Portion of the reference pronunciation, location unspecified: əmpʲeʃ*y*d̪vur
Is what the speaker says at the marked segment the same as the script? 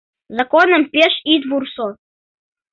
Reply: no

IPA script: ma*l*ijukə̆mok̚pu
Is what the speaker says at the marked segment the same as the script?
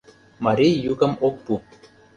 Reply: no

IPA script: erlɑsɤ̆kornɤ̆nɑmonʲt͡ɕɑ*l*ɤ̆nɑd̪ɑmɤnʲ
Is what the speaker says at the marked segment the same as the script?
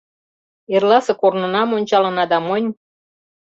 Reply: yes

